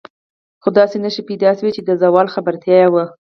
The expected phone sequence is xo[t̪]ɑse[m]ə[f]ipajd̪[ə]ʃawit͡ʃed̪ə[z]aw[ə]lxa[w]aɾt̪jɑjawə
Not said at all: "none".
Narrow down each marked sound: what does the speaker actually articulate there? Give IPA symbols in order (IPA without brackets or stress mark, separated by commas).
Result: d̪, n, ʃ, ɑ, z, ɑ, b